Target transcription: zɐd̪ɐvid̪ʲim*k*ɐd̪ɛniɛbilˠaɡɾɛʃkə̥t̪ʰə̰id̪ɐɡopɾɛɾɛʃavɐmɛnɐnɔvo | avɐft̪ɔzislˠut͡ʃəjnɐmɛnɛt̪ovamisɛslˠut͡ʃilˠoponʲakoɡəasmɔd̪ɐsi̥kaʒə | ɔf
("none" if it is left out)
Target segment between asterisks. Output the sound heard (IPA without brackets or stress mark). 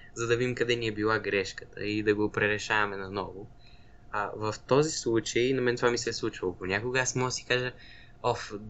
k